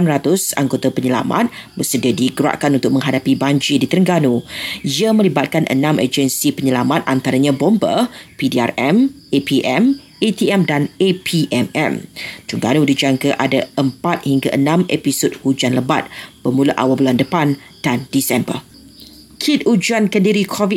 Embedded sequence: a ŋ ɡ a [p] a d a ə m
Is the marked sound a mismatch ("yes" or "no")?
yes